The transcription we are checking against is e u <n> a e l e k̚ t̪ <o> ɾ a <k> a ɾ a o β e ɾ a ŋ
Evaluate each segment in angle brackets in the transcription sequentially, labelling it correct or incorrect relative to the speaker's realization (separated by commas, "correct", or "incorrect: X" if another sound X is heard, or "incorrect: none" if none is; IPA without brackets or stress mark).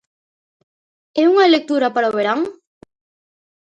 incorrect: ŋ, incorrect: u, incorrect: p